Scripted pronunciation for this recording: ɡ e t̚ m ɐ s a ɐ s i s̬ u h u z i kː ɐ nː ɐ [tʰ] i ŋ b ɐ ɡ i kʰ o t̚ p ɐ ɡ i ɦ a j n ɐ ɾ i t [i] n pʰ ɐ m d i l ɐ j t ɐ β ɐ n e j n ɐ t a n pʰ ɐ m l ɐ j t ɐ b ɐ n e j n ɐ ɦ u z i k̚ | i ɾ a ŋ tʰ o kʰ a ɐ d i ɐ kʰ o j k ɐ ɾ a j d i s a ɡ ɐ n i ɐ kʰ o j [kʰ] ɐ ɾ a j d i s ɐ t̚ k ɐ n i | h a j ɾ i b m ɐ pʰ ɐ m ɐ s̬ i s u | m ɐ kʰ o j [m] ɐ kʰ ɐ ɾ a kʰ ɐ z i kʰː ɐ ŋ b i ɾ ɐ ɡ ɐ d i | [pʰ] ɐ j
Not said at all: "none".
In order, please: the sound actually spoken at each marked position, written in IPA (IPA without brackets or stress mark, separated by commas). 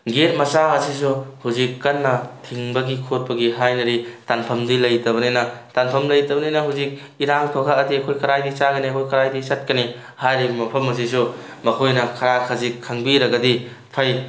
tʰ, a, k, n, pʰ